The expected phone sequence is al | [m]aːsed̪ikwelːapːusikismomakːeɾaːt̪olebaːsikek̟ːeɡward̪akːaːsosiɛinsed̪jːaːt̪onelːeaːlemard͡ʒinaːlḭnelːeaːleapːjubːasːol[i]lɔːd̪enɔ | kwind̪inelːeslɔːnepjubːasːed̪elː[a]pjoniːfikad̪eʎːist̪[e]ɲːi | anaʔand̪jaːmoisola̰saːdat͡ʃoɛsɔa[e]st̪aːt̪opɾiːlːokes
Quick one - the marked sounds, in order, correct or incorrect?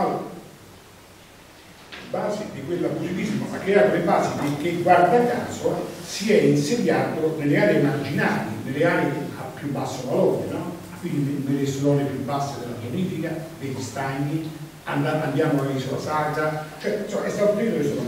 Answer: incorrect, incorrect, correct, incorrect, incorrect

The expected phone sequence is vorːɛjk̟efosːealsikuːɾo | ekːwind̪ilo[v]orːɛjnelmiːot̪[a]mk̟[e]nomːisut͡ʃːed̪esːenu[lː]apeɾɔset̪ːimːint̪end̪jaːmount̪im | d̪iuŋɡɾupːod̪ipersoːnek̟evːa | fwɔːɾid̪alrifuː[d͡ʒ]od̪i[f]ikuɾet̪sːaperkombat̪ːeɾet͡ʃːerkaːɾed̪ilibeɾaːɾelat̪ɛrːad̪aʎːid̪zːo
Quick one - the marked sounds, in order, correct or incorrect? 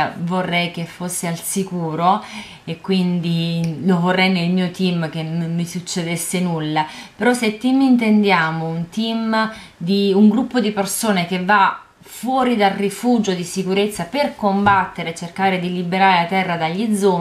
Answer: correct, incorrect, correct, correct, correct, incorrect

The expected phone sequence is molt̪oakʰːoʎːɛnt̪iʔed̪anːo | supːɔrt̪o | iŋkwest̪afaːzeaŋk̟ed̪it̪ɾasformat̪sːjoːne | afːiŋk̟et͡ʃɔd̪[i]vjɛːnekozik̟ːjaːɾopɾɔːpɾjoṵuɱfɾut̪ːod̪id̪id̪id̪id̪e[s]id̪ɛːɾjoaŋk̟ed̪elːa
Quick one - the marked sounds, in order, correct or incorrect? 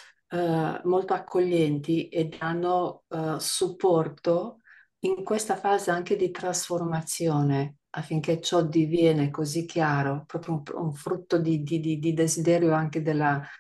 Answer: correct, incorrect

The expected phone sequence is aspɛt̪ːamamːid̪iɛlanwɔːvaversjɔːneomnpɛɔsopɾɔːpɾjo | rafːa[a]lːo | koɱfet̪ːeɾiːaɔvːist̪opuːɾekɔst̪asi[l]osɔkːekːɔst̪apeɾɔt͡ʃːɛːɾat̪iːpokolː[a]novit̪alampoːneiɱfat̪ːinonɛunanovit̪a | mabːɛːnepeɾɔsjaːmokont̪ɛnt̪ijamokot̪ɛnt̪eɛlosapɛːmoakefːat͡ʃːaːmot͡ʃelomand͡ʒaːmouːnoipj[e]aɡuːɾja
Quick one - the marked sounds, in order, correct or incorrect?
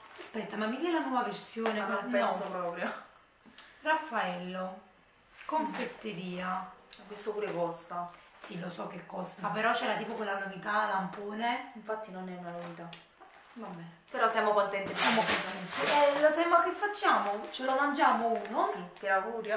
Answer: incorrect, correct, correct, incorrect

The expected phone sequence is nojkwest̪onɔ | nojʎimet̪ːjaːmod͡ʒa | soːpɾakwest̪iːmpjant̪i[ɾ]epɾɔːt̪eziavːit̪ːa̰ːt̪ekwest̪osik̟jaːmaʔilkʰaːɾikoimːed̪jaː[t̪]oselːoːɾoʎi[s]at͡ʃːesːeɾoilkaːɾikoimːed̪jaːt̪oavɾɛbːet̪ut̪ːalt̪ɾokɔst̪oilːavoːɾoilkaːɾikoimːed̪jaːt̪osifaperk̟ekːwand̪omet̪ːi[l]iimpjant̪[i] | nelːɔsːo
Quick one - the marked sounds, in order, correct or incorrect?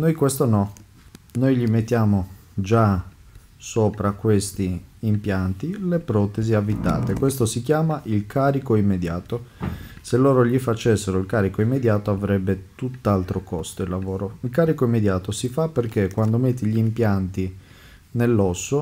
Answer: incorrect, correct, incorrect, incorrect, correct

